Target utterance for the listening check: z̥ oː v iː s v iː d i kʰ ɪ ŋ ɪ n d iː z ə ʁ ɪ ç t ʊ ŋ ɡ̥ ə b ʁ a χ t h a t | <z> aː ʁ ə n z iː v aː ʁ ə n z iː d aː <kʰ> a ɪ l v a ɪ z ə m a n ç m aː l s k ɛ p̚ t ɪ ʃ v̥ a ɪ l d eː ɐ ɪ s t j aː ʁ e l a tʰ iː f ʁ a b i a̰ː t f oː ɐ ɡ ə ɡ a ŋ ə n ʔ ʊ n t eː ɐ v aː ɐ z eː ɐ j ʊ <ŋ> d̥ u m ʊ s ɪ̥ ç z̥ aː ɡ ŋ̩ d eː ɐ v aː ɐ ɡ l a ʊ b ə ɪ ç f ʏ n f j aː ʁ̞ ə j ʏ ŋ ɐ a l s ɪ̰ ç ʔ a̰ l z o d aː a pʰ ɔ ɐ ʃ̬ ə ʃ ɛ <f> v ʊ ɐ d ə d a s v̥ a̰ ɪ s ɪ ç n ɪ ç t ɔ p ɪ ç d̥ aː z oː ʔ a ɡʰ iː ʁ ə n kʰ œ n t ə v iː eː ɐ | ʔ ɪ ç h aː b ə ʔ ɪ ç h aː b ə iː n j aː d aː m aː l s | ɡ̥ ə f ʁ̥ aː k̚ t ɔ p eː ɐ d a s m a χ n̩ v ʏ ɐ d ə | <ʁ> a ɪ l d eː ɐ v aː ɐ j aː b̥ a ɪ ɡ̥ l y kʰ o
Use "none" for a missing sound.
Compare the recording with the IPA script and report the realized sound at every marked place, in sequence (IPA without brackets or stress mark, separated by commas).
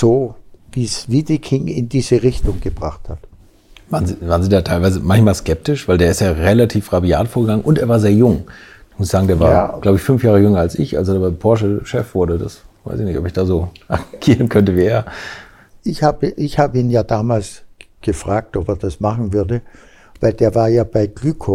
v, tʰ, ŋ, f, v